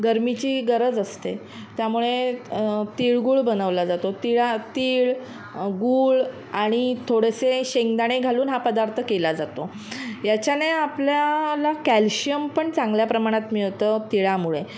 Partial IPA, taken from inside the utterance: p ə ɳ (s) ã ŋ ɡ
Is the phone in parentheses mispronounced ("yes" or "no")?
yes